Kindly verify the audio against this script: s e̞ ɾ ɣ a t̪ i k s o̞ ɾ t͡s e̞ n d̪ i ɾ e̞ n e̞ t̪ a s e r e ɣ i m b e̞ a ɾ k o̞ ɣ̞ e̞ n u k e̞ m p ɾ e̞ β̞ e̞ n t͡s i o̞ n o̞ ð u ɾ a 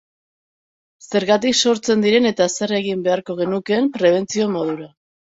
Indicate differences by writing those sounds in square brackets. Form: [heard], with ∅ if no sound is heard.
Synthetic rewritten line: s e̞ ɾ ɣ a t̪ i k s o̞ ɾ t͡s e̞ n d̪ i ɾ e̞ n e̞ t̪ a s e r e ɣ i m b e̞ a ɾ k o̞ ɣ̞ e̞ n u k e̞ m p ɾ e̞ β̞ e̞ n t͡s i o̞ [m] o̞ ð u ɾ a